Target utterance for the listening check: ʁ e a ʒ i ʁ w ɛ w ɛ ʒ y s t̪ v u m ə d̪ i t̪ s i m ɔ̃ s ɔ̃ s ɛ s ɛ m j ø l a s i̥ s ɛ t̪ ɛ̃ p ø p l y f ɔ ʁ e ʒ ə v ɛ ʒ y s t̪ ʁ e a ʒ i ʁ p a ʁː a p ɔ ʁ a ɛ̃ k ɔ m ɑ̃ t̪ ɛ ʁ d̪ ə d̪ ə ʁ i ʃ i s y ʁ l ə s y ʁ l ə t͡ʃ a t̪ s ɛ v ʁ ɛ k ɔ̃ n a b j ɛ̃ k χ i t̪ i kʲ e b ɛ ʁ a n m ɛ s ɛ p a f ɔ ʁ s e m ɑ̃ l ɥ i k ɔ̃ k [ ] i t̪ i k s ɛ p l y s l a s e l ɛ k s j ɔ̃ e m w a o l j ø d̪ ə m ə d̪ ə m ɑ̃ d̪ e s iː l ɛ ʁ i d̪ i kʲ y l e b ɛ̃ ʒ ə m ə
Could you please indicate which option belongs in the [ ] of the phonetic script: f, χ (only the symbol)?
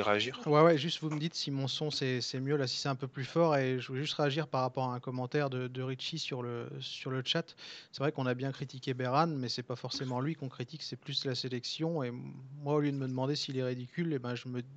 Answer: χ